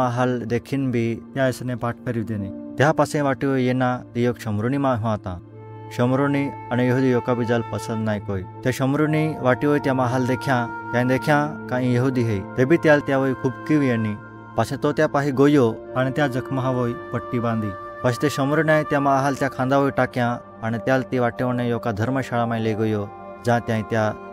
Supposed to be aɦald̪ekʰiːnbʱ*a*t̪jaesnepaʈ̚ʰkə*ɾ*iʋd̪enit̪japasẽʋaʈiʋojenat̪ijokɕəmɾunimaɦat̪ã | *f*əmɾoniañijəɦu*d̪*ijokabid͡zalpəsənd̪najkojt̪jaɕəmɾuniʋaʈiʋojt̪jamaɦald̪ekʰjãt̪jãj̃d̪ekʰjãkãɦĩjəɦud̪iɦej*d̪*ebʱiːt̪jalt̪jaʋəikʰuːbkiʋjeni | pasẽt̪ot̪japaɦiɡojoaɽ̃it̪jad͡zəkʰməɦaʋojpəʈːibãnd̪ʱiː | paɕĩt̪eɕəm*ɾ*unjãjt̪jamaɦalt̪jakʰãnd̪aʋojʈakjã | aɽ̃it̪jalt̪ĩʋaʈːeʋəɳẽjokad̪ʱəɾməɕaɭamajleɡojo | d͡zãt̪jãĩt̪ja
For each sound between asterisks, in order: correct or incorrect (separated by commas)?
incorrect, correct, incorrect, correct, incorrect, correct